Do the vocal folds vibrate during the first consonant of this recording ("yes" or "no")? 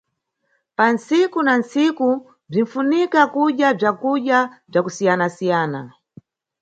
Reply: no